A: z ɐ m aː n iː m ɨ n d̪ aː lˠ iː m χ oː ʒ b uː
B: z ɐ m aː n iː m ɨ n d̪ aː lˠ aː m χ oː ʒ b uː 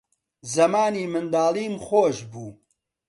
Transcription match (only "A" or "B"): A